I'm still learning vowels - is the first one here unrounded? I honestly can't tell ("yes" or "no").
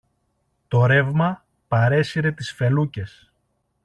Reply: no